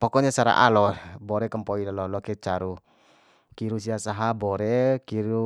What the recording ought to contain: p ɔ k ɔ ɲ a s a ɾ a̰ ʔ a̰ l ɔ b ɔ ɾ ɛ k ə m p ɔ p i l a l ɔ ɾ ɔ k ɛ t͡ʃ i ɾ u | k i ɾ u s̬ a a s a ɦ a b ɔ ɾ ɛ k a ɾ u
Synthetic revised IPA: p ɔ k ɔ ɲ a s a ɾ a̰ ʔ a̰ l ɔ b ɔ ɾ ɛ k ə m p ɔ i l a l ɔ l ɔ k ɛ t͡ʃ a ɾ u | k i ɾ u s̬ i a s a ɦ a b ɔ ɾ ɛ k i ɾ u